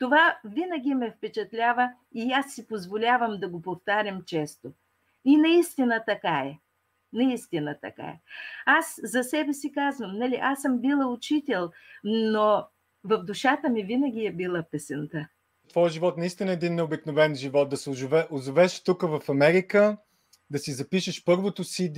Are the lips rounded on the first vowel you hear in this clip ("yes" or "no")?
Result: yes